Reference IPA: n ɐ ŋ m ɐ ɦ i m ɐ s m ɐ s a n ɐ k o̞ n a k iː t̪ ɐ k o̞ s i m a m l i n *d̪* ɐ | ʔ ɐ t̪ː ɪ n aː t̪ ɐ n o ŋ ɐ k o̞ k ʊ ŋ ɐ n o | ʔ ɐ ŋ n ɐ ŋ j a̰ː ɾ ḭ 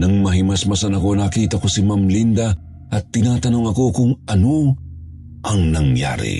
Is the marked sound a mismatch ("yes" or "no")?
no